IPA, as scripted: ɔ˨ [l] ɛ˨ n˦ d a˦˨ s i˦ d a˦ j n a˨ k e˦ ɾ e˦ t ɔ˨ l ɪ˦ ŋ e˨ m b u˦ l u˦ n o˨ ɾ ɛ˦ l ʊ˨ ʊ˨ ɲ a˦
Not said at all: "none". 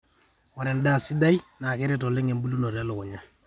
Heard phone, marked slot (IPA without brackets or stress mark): ɾ